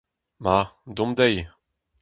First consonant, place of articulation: labial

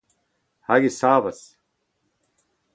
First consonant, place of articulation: glottal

